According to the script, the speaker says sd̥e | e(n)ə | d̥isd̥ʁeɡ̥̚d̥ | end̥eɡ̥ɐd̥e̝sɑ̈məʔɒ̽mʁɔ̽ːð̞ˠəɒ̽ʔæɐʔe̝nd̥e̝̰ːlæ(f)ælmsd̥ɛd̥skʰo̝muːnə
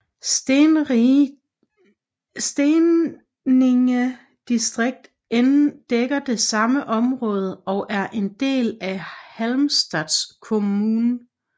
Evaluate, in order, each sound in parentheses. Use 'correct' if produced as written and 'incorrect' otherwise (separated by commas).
incorrect, incorrect